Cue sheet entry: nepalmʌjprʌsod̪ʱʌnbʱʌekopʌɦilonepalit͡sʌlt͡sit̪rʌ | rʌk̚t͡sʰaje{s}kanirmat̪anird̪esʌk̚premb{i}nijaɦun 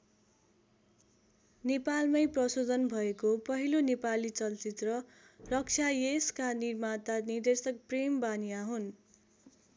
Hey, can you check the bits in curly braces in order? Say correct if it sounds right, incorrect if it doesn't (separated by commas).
correct, incorrect